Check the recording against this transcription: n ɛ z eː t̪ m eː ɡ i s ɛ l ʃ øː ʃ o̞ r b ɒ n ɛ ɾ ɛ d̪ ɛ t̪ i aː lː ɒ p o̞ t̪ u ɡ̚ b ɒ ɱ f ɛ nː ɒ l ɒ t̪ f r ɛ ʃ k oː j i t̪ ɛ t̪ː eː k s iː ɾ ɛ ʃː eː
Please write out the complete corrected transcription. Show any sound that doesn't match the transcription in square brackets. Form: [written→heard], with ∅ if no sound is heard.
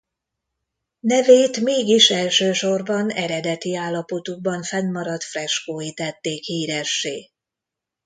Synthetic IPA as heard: n ɛ [z→v] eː t̪ m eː ɡ i [s→ʃ] ɛ l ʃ øː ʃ o̞ r b ɒ n ɛ ɾ ɛ d̪ ɛ t̪ i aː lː ɒ p o̞ t̪ u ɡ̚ b ɒ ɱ f ɛ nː ɒ [l→ɾ] ɒ t̪ f r ɛ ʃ k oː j i t̪ ɛ t̪ː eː k [s→h] iː ɾ ɛ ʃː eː